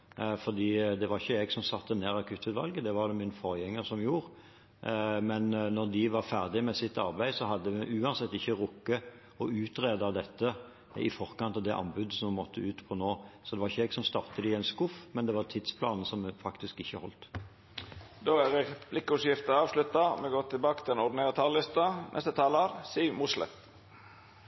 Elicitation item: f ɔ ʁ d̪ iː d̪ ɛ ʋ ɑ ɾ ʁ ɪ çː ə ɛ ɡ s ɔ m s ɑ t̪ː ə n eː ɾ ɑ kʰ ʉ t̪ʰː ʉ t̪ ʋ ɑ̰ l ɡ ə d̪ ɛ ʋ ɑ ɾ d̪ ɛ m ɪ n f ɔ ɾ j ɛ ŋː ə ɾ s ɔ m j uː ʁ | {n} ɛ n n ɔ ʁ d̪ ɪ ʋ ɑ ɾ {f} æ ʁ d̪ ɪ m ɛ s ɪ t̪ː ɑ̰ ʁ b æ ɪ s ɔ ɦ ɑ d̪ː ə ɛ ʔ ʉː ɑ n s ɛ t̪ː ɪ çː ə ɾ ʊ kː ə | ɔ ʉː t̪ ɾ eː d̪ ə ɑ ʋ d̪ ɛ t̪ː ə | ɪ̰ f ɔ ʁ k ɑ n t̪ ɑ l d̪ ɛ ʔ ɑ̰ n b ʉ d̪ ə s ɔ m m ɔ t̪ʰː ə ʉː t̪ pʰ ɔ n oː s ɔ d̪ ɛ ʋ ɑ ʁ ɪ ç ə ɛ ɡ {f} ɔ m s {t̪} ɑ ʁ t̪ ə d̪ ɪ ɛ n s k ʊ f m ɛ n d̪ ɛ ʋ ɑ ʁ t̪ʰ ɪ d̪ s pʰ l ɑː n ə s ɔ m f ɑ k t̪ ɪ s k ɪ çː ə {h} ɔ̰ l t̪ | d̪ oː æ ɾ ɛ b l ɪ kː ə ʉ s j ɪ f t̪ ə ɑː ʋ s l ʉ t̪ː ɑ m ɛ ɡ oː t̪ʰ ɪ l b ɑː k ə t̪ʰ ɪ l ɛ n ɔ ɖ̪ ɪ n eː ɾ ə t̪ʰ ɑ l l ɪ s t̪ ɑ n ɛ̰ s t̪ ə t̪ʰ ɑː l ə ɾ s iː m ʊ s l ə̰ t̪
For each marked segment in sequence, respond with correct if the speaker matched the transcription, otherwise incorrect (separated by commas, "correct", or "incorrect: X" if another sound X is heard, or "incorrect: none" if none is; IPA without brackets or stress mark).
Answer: incorrect: m, correct, incorrect: s, correct, correct